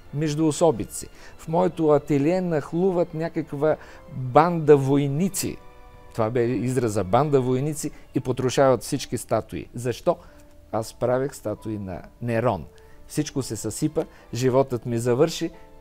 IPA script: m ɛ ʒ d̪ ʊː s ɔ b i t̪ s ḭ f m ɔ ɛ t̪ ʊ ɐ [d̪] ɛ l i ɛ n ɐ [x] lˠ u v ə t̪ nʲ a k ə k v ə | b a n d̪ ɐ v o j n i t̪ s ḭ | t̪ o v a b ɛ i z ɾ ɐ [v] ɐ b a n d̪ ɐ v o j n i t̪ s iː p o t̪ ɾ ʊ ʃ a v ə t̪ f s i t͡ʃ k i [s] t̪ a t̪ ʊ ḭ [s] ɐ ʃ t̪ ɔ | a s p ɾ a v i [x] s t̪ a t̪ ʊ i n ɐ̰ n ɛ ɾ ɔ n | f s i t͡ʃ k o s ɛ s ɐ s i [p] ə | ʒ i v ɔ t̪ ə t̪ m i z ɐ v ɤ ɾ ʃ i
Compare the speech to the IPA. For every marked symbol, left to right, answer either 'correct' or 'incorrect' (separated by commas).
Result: incorrect, correct, incorrect, correct, incorrect, correct, correct